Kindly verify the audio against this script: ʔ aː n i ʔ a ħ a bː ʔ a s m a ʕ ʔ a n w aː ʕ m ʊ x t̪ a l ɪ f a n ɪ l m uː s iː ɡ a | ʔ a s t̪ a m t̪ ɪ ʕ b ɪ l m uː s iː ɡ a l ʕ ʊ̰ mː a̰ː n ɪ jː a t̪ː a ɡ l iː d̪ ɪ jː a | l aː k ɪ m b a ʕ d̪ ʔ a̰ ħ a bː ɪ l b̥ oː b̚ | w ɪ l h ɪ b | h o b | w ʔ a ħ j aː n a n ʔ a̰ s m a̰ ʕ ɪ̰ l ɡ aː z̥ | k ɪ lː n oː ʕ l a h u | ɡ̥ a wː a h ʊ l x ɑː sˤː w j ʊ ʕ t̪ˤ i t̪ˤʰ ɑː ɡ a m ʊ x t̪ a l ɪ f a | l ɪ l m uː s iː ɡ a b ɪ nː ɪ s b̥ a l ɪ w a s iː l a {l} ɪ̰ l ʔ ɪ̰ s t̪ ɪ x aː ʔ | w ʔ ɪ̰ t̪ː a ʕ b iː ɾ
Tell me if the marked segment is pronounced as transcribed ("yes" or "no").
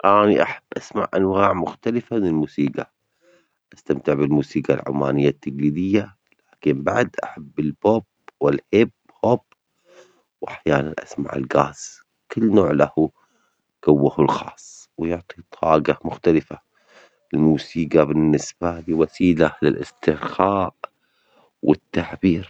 yes